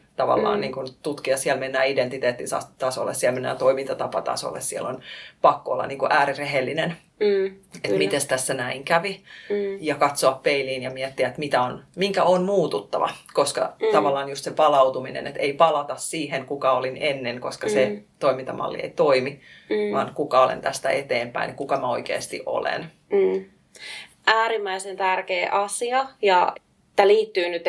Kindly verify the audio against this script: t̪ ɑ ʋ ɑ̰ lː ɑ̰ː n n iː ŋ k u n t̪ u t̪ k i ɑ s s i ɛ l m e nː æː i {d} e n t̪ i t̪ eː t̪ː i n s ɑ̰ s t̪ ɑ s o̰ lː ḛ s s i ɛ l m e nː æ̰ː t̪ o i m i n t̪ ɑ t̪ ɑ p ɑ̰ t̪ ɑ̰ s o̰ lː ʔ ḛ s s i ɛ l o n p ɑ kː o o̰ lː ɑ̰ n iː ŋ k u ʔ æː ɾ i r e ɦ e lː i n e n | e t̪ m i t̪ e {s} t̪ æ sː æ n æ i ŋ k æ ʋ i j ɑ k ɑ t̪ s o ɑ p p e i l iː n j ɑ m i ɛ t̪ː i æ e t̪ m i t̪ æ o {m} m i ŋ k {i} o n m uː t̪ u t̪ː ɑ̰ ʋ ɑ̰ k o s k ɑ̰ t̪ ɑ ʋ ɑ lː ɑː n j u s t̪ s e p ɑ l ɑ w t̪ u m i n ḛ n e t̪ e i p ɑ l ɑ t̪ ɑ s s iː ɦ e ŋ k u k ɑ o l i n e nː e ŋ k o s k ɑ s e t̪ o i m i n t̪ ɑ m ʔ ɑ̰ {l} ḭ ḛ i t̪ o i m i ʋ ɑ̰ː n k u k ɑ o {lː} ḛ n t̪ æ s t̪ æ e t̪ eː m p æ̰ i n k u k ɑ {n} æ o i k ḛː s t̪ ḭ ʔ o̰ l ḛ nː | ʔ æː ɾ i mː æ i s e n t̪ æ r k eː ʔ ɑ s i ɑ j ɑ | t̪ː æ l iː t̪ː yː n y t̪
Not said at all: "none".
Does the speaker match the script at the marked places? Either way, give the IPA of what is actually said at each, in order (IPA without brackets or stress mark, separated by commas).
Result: d, s, n, æ, lː, l, m